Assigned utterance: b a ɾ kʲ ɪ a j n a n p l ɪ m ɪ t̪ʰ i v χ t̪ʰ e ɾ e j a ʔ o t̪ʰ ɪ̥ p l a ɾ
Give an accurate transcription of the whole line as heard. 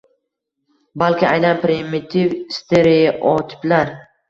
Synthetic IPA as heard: b a l kʲ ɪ a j n a n p ɾ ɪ m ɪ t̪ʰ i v s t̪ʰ e ɾ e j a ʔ ɒ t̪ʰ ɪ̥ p l a ɾ